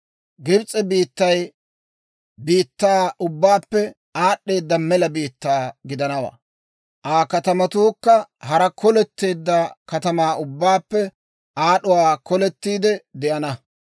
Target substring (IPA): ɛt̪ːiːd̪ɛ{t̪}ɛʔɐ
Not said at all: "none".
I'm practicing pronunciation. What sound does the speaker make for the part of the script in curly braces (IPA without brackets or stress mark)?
d̪